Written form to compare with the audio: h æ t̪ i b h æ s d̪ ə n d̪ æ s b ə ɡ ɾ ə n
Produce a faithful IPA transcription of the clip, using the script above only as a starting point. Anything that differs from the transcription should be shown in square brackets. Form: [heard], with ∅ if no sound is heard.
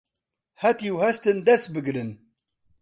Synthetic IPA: h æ t̪ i [w] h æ s [t̪] ə n d̪ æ s b ə ɡ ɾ ə n